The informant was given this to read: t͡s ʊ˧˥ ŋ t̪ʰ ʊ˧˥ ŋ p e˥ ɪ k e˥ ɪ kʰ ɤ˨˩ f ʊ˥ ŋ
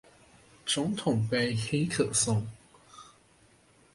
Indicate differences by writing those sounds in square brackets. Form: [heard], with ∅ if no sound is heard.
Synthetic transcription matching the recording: t͡s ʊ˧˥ ŋ t̪ʰ [ʊ˨˩] ŋ p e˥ ɪ [x] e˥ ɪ kʰ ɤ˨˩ [s] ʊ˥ ŋ